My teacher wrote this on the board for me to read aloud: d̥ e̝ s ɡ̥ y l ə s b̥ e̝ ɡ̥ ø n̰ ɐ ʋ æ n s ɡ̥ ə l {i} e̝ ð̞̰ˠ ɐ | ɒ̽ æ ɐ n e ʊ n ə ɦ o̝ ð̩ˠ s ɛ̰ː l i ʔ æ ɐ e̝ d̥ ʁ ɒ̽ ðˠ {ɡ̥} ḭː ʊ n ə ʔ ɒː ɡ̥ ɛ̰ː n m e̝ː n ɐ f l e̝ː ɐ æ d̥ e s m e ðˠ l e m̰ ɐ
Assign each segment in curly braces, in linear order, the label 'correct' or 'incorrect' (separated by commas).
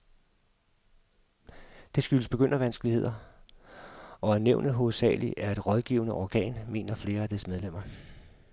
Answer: correct, correct